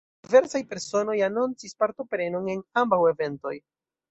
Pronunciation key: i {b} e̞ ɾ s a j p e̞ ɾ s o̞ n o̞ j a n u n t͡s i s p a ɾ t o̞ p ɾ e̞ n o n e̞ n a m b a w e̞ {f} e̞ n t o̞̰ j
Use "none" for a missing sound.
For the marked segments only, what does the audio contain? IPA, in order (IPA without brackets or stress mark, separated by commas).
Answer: v, v